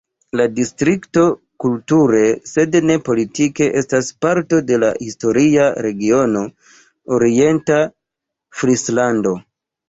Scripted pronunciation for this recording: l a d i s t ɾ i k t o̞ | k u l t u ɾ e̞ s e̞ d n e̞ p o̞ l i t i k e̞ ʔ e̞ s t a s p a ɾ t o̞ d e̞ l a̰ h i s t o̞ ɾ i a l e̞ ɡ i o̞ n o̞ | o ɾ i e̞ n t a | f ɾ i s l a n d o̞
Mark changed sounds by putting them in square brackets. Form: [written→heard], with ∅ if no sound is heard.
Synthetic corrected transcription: l a d i s t ɾ i k t o̞ | k u l t u ɾ e̞ s e̞ d n e̞ p o̞ l i t i k e̞ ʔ e̞ s t a s p a ɾ t o̞ d e̞ l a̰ h i s t o̞ ɾ i a [l→ɾ] e̞ ɡ i o̞ n o̞ | o ɾ i e̞ n t a | f ɾ i s l a n d o̞

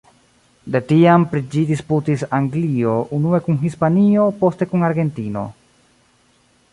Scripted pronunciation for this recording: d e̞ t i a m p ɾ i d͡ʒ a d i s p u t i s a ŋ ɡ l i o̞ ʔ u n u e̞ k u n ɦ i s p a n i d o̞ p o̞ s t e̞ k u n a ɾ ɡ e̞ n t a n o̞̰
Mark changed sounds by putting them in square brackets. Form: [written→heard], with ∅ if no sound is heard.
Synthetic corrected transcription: d e̞ t i a m p ɾ i d͡ʒ [a→i] d i s p u t i s a ŋ ɡ l i o̞ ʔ u n u e̞ k u n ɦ i s p a n i [d→∅] o̞ p o̞ s t e̞ k u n a ɾ ɡ e̞ n t [a→i] n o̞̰

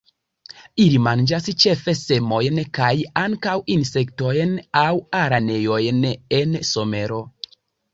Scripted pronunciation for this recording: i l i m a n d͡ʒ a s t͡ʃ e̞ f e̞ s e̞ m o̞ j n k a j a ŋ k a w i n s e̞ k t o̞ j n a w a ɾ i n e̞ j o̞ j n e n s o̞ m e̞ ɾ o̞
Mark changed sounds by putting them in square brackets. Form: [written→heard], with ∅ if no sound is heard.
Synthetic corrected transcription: i l i m a n d͡ʒ a s t͡ʃ e̞ f e̞ s e̞ m o̞ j n k a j a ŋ k a w i n s e̞ k t o̞ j n a w a ɾ [i→a] n e̞ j o̞ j n e n s o̞ m e̞ ɾ o̞

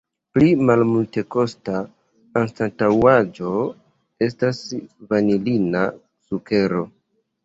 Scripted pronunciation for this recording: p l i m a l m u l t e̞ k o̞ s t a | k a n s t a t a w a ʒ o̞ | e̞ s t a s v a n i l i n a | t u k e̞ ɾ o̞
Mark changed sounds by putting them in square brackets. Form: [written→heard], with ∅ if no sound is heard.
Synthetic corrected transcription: p l i m a l m u l t e̞ k o̞ s t a | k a n s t a t a w a [ʒ→d͡ʒ] o̞ | e̞ s t a s v a n i l i n a | [t→s] u k e̞ ɾ o̞

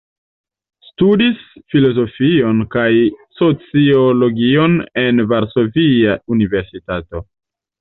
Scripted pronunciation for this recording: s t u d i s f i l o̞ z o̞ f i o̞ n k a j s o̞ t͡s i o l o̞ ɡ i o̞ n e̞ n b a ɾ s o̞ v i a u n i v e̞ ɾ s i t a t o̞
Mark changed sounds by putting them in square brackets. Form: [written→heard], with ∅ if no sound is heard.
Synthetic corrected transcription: s t u d i s f i l o̞ z o̞ f i o̞ n k a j s o̞ t͡s i o l o̞ ɡ i o̞ n e̞ n [b→v] a ɾ s o̞ v i a u n i v e̞ ɾ s i t a t o̞

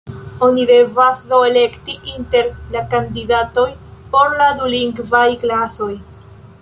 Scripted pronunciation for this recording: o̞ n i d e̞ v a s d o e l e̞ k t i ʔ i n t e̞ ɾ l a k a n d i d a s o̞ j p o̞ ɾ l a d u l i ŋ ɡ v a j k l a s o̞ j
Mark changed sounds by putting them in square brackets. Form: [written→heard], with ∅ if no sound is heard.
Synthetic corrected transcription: o̞ n i d e̞ v a s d o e l e̞ k t i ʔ i n t e̞ ɾ l a k a n d i d a [s→t] o̞ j p o̞ ɾ l a d u l i ŋ ɡ v a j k l a s o̞ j

